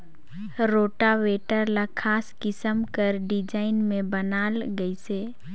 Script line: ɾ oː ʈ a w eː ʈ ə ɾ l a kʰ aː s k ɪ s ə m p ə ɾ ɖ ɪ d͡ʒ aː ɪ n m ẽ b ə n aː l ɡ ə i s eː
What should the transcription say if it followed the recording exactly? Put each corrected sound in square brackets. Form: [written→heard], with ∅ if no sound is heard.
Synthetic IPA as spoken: ɾ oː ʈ a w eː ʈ ə ɾ l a kʰ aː s k ɪ s ə m [p→k] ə ɾ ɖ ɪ d͡ʒ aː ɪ n m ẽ b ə n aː l ɡ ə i s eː